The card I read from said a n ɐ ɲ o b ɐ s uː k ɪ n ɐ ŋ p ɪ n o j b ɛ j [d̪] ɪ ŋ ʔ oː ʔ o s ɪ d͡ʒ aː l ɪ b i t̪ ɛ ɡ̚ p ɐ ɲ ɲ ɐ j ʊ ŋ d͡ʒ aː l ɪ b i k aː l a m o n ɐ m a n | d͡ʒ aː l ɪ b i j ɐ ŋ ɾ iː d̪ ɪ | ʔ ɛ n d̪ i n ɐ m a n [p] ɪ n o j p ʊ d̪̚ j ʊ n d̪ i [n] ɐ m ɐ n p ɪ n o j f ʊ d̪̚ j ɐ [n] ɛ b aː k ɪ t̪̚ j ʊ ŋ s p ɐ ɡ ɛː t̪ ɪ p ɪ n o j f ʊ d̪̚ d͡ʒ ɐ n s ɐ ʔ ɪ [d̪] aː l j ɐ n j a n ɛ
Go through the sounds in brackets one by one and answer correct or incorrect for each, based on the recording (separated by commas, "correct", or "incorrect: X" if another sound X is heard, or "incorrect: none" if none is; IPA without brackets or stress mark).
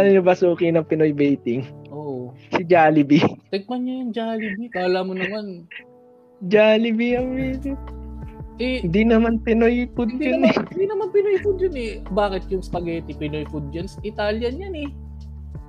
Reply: incorrect: t̪, correct, correct, correct, incorrect: t̪